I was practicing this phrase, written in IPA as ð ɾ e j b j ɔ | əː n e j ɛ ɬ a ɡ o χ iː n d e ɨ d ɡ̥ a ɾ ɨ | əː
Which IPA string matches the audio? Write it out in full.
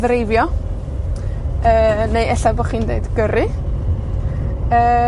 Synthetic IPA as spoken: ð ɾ e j v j ɔ | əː n e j ɛ ɬ a b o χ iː n d e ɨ d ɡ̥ ə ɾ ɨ | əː